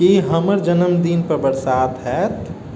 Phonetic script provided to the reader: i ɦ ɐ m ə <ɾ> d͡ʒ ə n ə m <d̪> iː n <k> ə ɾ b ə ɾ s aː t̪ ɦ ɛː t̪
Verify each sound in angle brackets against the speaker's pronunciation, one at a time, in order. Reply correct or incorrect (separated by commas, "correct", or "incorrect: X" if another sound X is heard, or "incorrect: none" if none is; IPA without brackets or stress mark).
correct, correct, incorrect: p